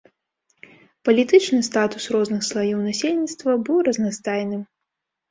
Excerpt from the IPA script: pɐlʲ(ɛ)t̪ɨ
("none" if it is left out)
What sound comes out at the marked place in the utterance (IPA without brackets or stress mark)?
i